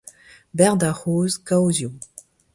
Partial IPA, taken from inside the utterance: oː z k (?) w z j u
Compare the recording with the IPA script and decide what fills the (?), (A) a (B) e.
A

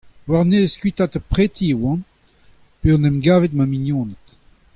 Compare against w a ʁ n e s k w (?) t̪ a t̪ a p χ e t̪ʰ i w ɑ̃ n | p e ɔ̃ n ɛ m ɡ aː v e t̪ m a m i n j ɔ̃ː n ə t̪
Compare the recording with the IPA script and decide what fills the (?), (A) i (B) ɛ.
A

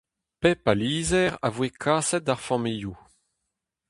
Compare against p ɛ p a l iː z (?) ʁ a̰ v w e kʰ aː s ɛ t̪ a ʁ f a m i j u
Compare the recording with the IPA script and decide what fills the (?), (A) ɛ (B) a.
A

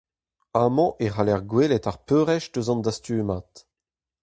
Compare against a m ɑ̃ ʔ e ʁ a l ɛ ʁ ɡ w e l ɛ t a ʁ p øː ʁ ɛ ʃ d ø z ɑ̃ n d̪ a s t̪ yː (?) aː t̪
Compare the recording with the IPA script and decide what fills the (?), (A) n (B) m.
B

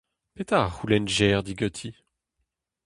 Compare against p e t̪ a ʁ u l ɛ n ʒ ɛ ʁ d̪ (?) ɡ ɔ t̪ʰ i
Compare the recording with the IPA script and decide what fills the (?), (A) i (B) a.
A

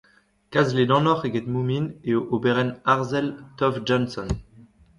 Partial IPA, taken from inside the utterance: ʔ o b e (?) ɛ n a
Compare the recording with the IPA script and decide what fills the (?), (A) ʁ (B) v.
A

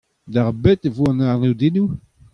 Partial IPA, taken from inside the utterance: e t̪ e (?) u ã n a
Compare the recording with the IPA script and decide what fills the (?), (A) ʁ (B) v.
B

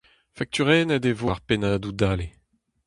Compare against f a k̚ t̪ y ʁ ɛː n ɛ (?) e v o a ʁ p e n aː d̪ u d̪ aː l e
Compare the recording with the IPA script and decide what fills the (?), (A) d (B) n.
A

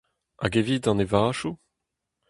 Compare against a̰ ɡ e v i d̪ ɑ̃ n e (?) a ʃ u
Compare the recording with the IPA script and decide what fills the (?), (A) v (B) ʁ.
A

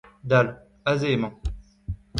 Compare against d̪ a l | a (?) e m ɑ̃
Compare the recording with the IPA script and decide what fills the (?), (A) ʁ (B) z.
B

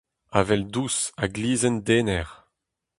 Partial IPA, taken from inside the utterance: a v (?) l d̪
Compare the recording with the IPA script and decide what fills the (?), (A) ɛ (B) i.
A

